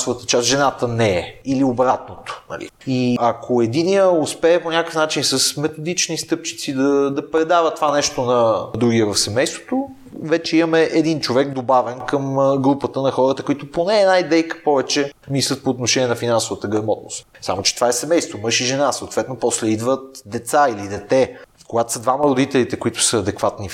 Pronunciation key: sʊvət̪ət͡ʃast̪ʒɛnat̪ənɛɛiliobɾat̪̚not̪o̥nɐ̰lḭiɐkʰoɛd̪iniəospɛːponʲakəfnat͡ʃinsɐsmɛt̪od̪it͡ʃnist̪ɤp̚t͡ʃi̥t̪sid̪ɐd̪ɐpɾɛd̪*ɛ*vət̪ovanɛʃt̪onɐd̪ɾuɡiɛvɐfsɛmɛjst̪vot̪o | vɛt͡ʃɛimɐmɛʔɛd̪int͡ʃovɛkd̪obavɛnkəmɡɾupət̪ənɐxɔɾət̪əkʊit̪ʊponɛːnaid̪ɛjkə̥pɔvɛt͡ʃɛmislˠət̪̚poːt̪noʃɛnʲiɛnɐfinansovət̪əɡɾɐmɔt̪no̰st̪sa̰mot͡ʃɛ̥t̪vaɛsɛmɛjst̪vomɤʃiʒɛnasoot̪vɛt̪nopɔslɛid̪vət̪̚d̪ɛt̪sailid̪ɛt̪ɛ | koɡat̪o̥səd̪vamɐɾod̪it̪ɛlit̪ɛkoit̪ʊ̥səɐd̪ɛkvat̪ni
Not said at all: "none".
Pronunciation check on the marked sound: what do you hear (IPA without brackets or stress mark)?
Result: a